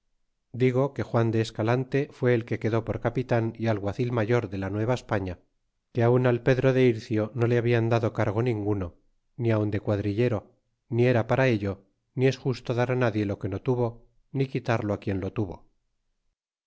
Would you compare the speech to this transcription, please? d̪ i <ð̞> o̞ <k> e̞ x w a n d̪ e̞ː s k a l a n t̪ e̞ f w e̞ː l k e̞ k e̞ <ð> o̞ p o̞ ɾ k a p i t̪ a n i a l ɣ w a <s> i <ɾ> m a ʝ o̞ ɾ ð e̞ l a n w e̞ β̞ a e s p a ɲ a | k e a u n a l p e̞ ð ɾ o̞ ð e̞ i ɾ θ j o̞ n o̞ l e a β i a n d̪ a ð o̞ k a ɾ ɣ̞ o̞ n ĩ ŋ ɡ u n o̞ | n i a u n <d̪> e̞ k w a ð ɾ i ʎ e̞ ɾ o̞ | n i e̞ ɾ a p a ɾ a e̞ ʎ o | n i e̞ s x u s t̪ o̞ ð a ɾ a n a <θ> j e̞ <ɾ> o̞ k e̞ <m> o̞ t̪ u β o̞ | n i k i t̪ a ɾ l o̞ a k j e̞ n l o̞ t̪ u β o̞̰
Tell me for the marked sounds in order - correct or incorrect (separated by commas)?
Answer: incorrect, correct, correct, incorrect, incorrect, correct, incorrect, incorrect, incorrect